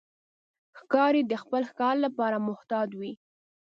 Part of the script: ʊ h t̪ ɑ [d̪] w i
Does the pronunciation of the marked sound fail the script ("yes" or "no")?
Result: no